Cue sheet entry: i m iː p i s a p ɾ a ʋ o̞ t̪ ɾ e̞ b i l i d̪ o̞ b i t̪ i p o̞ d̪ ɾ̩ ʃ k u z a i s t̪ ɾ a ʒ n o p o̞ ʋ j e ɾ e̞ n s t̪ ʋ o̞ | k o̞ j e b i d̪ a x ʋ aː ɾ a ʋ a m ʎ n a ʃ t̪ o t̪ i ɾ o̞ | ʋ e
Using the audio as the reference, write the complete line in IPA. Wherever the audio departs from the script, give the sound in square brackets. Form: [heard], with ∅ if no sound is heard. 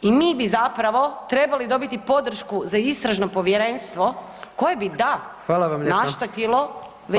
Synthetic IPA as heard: i m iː [b] i [z] a p ɾ a ʋ o̞ t̪ ɾ e̞ b [a] l i d̪ o̞ b i t̪ i p o̞ d̪ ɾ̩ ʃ k u z a i s t̪ ɾ a ʒ n o p o̞ ʋ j e ɾ e̞ n s t̪ ʋ o̞ | k o̞ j e b i d̪ a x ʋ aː [l] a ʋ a m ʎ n a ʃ t̪ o t̪ i [l] o̞ | ʋ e